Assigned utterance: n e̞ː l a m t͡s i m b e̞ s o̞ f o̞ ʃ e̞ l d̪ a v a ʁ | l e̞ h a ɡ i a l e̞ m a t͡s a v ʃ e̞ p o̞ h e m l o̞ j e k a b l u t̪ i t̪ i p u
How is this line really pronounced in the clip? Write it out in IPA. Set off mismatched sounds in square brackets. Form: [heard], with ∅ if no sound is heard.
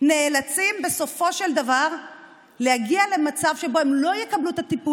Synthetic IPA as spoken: n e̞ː l a [∅] t͡s i m b e̞ s o̞ f o̞ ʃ e̞ l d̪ a v a ʁ | l e̞ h a ɡ i a l e̞ m a t͡s a v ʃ e̞ [b] o̞ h e m l o̞ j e k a b l u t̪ [a] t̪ i p u